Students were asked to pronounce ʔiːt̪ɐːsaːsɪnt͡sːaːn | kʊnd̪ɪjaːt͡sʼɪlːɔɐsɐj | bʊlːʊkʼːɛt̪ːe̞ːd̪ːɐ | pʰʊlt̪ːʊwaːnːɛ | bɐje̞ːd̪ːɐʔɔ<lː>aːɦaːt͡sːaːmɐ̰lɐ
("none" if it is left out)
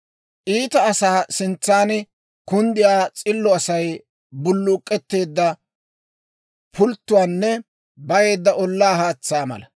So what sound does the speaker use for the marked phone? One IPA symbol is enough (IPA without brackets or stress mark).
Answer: lː